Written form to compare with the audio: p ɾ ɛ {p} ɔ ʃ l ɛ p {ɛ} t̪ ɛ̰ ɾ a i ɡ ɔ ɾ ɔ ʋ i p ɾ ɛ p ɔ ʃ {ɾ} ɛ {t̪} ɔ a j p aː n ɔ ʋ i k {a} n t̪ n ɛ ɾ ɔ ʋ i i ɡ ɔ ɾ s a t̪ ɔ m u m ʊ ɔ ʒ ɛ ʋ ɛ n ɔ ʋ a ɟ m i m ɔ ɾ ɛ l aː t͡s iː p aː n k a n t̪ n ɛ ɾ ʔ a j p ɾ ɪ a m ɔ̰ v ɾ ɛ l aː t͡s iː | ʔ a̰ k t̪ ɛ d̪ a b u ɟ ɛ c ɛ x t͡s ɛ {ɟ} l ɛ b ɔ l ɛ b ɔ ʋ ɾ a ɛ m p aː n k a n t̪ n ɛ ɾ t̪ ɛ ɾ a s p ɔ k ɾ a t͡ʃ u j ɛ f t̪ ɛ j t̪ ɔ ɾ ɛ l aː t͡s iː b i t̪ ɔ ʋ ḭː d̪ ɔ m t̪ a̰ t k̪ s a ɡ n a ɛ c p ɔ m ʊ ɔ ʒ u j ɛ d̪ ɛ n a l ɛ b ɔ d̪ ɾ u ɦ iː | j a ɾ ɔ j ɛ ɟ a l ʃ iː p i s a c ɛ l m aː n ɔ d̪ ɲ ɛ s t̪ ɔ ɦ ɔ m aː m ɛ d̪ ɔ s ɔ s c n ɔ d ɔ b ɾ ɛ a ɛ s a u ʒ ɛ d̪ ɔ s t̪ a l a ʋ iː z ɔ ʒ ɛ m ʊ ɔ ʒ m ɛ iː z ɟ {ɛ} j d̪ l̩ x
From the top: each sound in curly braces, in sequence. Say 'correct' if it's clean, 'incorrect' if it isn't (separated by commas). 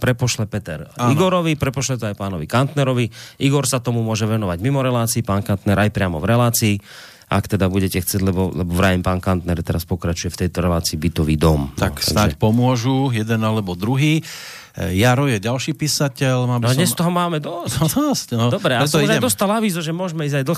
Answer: correct, correct, incorrect, correct, correct, correct, incorrect